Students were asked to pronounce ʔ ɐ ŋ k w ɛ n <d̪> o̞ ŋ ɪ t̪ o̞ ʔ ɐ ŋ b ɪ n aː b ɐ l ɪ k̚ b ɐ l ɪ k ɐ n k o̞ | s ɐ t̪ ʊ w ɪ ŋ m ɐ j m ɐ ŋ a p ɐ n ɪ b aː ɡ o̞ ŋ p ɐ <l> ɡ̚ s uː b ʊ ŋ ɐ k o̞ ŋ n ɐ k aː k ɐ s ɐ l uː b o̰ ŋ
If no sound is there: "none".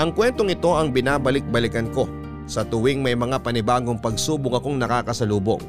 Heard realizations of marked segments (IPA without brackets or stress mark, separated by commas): t̪, none